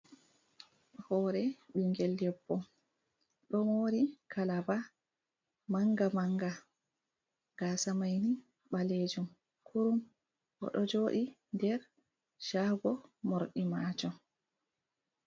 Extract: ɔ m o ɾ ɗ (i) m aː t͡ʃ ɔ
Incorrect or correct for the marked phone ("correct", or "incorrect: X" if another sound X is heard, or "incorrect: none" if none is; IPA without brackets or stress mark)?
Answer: correct